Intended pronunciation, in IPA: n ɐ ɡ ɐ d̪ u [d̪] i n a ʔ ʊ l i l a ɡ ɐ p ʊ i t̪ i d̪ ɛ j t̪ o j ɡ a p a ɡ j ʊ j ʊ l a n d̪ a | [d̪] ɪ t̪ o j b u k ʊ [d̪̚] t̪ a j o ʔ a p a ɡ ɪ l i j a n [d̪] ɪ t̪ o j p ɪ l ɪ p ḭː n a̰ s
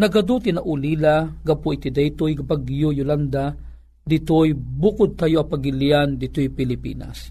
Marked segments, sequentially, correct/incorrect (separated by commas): incorrect, correct, correct, correct